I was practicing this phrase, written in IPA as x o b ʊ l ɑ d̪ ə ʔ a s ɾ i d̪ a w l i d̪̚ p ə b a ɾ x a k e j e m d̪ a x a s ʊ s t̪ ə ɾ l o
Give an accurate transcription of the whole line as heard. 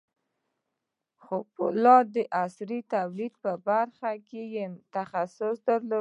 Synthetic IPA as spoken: x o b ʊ l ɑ d̪ ə ʔ a s ɾ i t̪ a w l i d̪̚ p ə b a ɾ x a k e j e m t̪ a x a s ʊ s d̪ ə ɾ l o